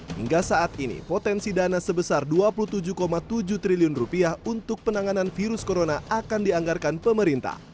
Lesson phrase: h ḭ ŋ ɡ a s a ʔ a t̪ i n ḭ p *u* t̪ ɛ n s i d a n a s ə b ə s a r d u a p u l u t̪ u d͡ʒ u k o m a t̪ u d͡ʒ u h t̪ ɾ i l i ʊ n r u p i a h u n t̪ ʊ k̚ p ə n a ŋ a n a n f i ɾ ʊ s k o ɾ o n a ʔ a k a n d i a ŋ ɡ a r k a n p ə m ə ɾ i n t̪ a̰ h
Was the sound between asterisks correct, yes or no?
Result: no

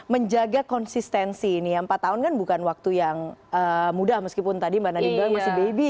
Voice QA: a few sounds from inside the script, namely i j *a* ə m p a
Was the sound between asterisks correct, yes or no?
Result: yes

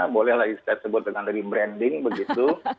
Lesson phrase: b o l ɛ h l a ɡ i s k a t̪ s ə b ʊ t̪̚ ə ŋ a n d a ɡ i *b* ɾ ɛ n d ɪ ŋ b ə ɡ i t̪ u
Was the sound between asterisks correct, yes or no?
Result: yes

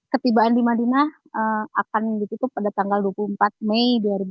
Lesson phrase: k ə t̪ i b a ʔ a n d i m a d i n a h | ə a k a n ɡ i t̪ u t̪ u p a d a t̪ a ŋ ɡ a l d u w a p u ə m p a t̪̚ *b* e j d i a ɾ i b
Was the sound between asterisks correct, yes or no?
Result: no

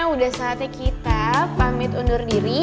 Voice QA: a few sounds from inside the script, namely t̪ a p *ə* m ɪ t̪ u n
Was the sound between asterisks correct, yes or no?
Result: no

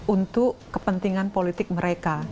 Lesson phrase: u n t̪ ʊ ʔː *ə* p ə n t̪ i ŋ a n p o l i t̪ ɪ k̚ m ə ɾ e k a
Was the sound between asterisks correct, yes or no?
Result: yes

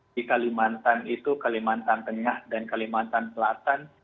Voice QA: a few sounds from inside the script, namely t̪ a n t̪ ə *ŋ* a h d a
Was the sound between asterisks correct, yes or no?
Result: yes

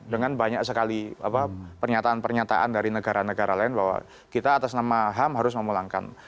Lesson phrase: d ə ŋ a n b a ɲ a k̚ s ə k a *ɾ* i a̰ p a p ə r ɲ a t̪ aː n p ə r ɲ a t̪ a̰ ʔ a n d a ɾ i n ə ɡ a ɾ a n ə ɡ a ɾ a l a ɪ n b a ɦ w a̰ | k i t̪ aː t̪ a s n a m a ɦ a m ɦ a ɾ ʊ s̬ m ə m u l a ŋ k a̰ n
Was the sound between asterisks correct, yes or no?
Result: no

